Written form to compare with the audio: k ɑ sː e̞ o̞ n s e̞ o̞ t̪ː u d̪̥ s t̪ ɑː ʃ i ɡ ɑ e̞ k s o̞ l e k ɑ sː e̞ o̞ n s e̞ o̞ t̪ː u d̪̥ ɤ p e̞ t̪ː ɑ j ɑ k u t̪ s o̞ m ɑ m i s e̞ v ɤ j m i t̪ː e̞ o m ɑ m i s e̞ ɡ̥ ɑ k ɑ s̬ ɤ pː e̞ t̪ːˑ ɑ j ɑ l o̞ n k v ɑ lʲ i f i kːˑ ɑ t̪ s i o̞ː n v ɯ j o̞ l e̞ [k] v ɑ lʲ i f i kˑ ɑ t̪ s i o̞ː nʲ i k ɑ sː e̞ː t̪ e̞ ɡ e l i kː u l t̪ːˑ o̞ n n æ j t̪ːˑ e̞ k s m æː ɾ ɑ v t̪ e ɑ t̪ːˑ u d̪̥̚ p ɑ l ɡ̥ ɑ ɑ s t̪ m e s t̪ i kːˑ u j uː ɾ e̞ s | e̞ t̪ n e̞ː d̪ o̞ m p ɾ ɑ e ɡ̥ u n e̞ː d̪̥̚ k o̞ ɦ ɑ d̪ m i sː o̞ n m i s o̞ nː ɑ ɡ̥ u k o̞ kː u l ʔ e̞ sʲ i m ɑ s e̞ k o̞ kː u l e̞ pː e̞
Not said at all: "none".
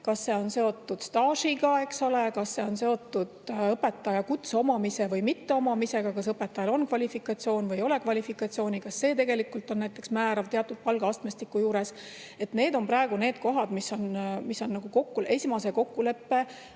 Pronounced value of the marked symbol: k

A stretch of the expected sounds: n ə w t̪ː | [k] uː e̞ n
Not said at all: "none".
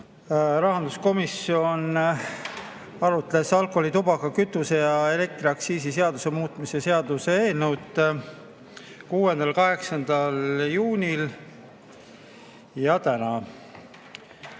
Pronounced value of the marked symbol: k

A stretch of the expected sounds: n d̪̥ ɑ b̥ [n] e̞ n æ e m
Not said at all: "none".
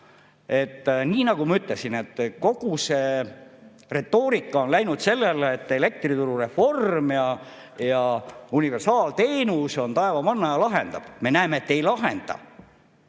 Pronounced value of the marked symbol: m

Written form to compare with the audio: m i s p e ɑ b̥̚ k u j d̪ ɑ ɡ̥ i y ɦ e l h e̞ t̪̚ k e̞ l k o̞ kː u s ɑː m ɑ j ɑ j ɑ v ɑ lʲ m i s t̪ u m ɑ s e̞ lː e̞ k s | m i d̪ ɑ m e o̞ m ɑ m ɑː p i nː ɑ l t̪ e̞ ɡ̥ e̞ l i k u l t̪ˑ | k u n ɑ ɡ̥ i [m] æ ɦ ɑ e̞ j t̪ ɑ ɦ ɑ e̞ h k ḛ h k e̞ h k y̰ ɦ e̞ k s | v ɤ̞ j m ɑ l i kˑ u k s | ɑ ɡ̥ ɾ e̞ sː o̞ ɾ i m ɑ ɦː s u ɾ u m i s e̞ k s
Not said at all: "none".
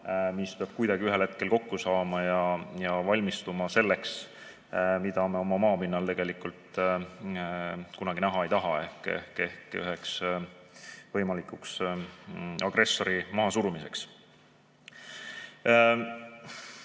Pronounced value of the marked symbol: n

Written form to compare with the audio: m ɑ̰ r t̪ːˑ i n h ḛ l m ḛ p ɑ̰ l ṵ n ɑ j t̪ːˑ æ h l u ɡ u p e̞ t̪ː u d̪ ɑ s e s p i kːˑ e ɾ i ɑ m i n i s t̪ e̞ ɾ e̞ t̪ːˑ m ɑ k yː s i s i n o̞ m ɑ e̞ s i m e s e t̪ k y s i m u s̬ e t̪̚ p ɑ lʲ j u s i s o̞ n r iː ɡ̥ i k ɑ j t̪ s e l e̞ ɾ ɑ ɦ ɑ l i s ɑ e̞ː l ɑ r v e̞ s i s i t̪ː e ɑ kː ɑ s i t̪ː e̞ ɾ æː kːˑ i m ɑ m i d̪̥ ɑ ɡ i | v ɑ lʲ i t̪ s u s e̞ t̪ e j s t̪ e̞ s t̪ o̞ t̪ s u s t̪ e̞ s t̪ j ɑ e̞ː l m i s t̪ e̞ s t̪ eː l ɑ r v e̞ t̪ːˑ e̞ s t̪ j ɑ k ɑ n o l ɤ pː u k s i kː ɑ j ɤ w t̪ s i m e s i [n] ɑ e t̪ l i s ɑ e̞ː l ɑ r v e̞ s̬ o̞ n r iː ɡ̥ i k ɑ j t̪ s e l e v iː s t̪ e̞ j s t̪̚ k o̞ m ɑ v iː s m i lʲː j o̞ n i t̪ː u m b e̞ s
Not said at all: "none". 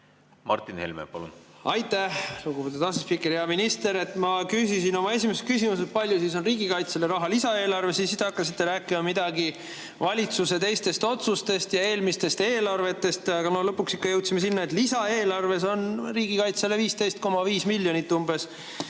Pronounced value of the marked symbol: nː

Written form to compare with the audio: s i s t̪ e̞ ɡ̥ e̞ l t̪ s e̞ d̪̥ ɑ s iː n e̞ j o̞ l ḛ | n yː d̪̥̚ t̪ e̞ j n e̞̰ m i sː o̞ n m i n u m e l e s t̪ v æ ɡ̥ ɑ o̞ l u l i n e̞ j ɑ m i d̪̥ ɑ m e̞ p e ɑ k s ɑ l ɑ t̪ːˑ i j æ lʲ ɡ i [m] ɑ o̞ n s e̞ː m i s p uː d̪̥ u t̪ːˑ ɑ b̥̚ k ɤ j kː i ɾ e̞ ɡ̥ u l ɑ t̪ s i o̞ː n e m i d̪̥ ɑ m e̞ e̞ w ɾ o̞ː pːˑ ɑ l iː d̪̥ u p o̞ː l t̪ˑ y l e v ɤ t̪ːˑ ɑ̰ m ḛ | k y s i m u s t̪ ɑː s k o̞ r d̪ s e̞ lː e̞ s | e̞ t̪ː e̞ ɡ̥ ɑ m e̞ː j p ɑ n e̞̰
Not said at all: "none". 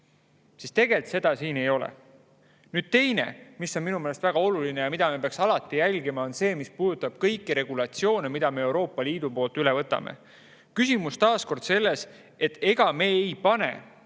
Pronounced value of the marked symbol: m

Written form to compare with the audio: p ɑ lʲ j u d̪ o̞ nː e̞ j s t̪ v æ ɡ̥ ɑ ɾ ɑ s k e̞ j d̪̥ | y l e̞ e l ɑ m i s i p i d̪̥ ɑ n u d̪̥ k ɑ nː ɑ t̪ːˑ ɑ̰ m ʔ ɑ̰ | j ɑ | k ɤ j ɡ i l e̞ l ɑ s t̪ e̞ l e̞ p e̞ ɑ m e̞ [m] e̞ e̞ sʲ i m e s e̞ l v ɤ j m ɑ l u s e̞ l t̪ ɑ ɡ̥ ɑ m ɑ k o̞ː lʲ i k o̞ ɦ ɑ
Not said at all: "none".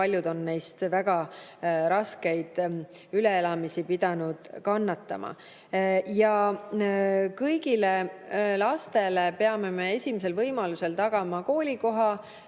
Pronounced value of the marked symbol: m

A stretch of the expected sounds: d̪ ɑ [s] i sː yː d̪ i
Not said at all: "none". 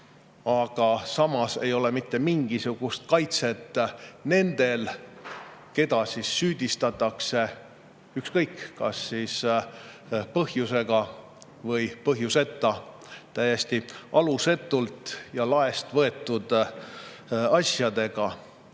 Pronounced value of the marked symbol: s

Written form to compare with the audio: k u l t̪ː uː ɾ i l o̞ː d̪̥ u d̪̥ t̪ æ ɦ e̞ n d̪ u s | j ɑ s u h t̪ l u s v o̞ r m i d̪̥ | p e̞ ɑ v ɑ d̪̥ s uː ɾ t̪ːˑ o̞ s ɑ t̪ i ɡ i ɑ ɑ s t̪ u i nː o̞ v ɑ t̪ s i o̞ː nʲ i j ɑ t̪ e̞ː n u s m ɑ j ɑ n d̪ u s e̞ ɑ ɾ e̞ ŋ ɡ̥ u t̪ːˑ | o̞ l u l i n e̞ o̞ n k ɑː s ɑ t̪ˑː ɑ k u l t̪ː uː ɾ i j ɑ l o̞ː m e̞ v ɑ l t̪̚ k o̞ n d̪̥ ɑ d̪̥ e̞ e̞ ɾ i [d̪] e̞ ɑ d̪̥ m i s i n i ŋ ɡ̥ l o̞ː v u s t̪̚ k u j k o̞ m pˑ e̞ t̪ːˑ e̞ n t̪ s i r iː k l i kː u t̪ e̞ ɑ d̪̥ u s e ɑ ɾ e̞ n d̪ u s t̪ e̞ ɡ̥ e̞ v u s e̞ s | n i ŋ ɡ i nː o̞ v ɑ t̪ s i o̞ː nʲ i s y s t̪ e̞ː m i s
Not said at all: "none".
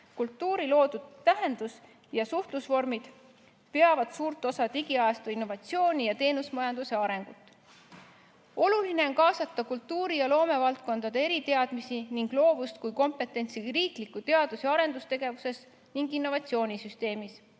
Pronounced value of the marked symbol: t̪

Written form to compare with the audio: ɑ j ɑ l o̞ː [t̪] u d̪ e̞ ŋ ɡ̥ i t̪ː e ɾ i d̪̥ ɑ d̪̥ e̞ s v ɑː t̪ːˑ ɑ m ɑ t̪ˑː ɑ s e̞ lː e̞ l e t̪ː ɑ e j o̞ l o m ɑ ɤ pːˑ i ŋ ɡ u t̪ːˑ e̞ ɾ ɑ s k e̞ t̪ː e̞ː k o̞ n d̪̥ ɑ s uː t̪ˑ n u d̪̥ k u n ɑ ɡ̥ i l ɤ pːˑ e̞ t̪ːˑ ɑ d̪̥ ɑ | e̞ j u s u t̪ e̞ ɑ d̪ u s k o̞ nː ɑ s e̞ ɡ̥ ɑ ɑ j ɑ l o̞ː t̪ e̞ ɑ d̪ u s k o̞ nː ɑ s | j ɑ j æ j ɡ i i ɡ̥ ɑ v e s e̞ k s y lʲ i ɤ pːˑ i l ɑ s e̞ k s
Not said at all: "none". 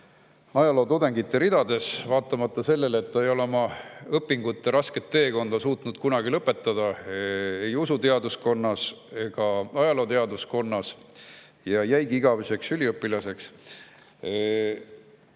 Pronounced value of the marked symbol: t̪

